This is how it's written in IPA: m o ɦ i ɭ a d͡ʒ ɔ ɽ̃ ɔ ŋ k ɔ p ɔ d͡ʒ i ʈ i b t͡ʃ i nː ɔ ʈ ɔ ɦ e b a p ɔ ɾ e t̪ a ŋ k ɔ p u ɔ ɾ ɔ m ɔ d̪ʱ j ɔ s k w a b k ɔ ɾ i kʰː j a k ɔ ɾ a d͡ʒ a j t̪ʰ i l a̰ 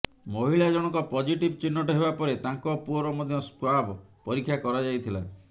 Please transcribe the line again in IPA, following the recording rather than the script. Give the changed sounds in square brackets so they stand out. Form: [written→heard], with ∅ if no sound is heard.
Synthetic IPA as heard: m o ɦ i ɭ a d͡ʒ ɔ ɽ̃ ɔ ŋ k ɔ p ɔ d͡ʒ i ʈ i b t͡ʃ i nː ɔ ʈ ɔ ɦ e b a p ɔ ɾ e t̪ a ŋ k ɔ p u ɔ ɾ ɔ m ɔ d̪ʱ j ɔ s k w a b [k→p] ɔ ɾ i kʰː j a k ɔ ɾ a d͡ʒ a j t̪ʰ i l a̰